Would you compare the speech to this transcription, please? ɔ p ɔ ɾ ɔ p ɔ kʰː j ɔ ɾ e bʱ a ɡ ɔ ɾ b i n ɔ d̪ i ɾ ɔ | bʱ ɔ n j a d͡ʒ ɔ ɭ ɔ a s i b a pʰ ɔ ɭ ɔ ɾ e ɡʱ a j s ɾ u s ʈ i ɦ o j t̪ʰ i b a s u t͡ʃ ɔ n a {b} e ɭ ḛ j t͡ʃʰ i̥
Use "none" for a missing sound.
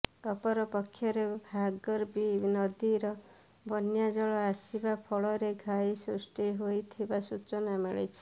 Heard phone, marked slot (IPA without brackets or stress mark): m